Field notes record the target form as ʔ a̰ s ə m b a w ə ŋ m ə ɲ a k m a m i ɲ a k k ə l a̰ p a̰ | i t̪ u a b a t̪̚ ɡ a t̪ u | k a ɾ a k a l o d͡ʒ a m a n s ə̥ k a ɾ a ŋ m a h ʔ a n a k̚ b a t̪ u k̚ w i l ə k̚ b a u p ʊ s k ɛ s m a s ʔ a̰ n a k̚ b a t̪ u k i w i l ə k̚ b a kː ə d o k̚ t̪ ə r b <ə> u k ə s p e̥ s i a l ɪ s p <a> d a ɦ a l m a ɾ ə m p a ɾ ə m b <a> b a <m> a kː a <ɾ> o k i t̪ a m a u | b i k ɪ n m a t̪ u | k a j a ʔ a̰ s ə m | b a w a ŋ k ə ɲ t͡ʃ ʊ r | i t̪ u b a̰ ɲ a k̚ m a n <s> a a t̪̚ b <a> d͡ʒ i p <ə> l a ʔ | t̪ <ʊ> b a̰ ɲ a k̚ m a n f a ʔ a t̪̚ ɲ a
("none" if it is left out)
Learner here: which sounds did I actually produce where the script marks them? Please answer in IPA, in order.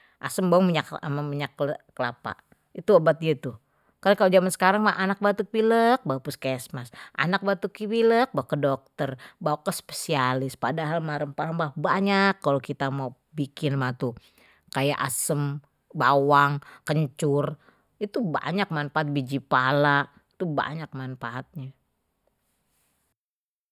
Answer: a, a, a, ɲ, l, f, i, a, u

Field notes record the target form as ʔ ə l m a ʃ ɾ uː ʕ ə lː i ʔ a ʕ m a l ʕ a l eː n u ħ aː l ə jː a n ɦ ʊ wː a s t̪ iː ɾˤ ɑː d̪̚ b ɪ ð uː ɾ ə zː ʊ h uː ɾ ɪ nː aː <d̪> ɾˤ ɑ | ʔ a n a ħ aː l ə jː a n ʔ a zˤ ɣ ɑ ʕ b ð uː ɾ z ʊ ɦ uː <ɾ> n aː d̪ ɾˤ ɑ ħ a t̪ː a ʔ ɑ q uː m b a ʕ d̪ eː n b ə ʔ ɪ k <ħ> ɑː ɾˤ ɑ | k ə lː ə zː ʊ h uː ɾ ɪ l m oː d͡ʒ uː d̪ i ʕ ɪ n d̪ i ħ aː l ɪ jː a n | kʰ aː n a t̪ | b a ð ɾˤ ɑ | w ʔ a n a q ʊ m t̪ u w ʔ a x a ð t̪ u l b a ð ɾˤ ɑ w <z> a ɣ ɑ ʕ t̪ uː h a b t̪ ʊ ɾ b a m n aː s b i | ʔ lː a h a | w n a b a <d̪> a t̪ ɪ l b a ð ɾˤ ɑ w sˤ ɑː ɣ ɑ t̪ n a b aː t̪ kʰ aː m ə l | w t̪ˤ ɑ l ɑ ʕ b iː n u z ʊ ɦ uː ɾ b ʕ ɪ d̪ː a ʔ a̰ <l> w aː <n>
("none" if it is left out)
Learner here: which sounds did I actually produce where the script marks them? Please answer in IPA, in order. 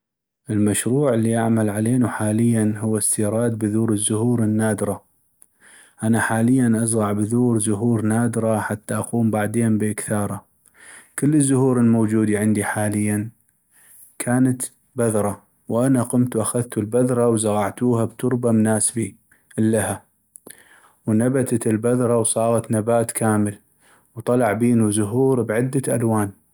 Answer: d̪, ɾ, θ, z, t̪, l, n

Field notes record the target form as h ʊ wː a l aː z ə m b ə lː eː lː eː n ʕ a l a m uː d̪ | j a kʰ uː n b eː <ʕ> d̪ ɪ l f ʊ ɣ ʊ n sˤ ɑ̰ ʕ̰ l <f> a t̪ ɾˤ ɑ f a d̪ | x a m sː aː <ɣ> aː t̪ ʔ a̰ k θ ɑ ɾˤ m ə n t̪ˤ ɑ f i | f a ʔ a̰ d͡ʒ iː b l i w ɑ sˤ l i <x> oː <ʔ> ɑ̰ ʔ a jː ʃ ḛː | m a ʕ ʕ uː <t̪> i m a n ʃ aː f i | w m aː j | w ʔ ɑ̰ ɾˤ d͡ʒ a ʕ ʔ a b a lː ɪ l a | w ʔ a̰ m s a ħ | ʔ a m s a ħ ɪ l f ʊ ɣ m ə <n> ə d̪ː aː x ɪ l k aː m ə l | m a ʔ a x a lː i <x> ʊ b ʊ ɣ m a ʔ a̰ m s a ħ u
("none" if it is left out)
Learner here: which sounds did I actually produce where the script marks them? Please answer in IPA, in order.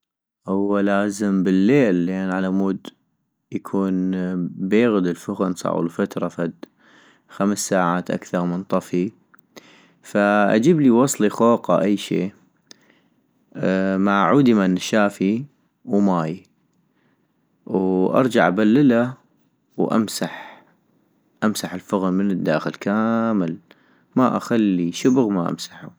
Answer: ɣ, f, ʕ, x, q, d̪, n, ʃ

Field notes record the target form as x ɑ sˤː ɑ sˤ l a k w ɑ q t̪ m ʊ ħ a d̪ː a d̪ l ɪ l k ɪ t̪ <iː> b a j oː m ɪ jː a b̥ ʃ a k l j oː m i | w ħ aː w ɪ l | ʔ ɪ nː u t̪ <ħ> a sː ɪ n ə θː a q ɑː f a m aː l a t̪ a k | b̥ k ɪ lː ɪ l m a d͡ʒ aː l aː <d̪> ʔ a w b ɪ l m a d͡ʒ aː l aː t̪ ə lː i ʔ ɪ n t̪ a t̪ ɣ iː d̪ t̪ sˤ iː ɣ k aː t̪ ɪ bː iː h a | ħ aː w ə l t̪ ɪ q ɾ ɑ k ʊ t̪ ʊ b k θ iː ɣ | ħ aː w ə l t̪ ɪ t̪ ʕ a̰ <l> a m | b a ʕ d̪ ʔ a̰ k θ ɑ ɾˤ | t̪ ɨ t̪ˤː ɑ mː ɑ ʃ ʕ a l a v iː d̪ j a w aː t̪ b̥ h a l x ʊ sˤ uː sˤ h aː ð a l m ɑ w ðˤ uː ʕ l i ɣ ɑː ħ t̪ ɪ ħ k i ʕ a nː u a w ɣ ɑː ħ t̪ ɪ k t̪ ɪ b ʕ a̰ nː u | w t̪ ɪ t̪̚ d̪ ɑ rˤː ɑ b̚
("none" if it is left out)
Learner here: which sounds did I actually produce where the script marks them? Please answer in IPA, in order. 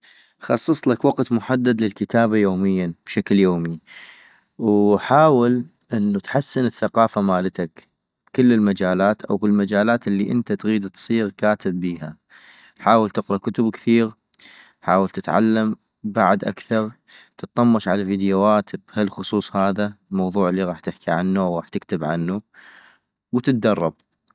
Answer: aː, ħ, t̪, lː

